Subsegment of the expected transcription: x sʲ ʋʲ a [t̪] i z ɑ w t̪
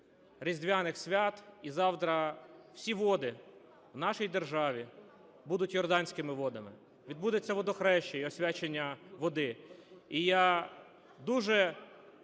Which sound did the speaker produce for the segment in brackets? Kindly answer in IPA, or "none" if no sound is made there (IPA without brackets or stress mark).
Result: t̪